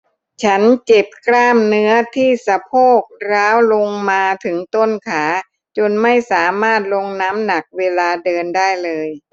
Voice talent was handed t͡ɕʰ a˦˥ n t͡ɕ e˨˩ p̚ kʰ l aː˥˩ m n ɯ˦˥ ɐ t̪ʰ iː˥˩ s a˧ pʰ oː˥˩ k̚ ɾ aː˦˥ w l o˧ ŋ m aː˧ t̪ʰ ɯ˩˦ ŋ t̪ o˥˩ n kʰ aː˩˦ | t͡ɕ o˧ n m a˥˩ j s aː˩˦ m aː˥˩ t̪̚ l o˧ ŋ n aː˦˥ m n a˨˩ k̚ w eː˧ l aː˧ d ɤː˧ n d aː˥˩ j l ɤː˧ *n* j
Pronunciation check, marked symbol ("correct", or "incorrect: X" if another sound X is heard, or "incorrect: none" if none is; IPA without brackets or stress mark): incorrect: none